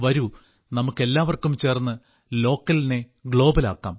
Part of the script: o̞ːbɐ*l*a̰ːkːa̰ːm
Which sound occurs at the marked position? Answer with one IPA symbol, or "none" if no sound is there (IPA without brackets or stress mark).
l